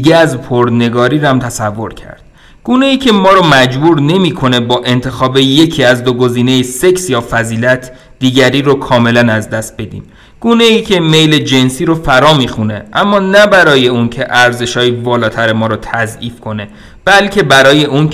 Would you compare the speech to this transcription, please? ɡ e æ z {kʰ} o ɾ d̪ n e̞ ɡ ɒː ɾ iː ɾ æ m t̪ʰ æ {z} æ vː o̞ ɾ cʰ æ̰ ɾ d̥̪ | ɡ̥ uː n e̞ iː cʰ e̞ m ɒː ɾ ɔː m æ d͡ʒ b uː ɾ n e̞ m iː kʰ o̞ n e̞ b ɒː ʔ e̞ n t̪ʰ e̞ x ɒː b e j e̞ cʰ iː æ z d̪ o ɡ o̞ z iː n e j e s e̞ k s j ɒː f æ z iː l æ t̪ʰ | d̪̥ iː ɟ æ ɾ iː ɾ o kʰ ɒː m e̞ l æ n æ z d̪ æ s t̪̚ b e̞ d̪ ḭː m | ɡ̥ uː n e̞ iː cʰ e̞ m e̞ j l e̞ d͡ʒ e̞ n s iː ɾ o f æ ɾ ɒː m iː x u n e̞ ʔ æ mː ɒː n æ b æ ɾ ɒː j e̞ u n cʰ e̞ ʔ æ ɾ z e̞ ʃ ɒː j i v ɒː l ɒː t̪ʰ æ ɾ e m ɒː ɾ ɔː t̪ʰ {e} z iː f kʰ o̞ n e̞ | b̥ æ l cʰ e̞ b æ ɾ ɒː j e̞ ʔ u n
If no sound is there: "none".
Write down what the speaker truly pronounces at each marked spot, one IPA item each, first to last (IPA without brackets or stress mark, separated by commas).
pʰ, s, æ